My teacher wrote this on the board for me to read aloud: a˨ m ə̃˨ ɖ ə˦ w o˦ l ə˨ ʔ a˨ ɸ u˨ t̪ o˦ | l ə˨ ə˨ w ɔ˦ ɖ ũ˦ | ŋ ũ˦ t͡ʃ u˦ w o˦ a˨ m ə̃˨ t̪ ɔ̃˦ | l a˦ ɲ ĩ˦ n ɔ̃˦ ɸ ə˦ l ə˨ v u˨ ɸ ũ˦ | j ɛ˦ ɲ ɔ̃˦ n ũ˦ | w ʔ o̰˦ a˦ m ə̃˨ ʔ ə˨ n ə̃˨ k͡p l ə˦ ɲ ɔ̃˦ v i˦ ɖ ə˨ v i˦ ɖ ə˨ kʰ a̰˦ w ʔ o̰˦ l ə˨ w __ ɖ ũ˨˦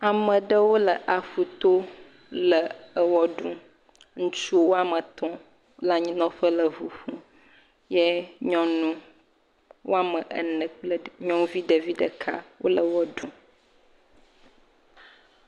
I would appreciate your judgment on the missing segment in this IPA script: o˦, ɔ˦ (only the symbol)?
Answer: ɔ˦